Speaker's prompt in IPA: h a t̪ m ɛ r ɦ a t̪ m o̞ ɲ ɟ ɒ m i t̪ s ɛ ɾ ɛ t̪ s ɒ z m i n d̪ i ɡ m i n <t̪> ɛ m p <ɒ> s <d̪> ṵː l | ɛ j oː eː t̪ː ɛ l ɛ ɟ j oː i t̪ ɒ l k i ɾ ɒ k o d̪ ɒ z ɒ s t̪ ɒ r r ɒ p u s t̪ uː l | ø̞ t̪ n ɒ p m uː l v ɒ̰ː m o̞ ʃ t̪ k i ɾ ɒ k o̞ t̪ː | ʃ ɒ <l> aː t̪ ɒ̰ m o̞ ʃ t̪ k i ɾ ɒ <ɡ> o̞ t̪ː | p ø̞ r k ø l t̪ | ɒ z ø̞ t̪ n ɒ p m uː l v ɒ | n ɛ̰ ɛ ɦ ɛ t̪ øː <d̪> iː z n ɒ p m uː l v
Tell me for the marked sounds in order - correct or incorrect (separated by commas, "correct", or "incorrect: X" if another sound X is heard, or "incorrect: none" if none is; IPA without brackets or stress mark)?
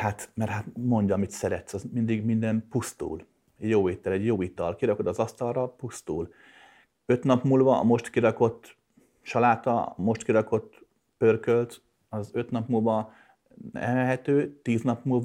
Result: incorrect: d̪, incorrect: u, incorrect: t̪, correct, incorrect: k, incorrect: t̪